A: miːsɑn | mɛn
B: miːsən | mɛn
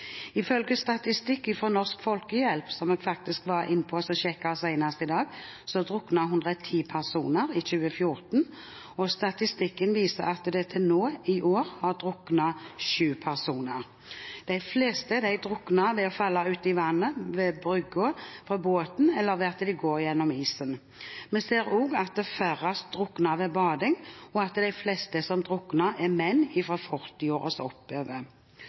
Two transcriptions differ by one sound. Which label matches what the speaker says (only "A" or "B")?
B